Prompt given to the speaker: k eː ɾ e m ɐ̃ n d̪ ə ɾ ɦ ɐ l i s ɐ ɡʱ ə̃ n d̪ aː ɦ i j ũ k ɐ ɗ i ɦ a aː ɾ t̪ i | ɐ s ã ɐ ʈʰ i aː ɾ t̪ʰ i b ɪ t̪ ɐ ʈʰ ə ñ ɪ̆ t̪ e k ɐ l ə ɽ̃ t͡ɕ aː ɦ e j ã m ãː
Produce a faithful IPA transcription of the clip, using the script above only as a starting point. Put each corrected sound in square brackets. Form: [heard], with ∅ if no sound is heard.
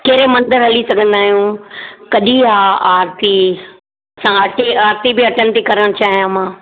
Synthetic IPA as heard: k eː ɾ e m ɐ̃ n d̪ ə ɾ ɦ ɐ l i s ɐ ɡʱ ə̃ n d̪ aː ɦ i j ũ k ɐ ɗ i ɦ a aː ɾ t̪ i | ɐ s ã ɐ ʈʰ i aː ɾ [t̪] i b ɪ [∅] ɐ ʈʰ ə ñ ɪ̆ t̪ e k ɐ [ɾ] ə ɽ̃ t͡ɕ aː ɦ [i] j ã m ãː